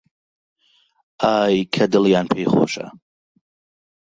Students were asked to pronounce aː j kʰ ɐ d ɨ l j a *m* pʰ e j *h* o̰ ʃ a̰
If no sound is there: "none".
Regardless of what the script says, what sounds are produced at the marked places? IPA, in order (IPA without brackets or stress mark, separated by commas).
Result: n, χ